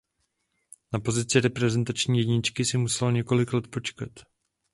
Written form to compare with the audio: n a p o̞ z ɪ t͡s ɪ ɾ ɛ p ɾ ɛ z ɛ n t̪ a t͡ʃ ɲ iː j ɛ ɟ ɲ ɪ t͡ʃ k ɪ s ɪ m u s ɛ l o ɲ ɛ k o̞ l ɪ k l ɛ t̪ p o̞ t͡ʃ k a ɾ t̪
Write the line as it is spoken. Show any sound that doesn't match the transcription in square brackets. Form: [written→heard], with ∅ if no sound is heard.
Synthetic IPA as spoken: n a p o̞ z ɪ t͡s ɪ ɾ ɛ p ɾ ɛ z ɛ n t̪ a t͡ʃ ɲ iː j ɛ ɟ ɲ ɪ t͡ʃ k ɪ s ɪ m u s ɛ l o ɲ ɛ k o̞ l ɪ k l ɛ t̪ p o̞ t͡ʃ k a [ɾ→∅] t̪